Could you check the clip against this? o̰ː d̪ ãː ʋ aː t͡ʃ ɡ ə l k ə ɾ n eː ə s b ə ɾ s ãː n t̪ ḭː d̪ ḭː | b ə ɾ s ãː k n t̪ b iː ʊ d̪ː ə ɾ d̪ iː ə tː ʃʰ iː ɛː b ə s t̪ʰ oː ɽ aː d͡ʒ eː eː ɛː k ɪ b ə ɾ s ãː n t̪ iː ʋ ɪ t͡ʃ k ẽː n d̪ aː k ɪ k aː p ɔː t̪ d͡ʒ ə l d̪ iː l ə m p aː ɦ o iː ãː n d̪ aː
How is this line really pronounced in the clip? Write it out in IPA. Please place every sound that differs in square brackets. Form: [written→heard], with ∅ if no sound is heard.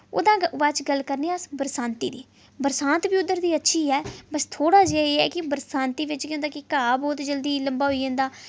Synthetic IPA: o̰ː d̪ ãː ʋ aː t͡ʃ ɡ ə l k ə ɾ n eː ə s b ə ɾ s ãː n t̪ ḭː d̪ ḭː | b ə ɾ s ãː [k→∅] n t̪ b iː ʊ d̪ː ə ɾ d̪ iː ə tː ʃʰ iː ɛː b ə s t̪ʰ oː ɽ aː d͡ʒ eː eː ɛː k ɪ b ə ɾ s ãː n t̪ iː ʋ ɪ t͡ʃ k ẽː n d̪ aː k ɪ k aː [p→b] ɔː t̪ d͡ʒ ə l d̪ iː l ə m [p→b] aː ɦ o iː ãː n d̪ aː